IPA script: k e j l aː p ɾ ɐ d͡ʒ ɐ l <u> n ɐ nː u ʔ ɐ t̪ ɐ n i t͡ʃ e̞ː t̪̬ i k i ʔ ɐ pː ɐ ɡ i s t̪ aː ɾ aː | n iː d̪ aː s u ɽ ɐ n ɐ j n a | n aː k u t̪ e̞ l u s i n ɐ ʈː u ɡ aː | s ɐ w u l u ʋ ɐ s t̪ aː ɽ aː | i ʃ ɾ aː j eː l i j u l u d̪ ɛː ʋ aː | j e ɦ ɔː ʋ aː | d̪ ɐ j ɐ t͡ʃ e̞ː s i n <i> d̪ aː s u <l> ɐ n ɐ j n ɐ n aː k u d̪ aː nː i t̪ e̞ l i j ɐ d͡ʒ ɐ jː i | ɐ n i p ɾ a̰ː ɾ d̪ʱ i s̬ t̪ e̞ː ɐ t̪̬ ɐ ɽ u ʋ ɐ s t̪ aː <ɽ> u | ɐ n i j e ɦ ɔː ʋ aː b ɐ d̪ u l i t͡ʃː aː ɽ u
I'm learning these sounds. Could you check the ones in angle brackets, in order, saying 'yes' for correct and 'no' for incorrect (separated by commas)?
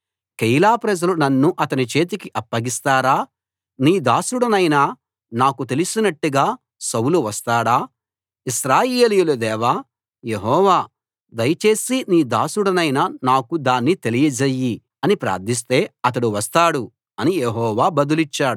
yes, no, no, yes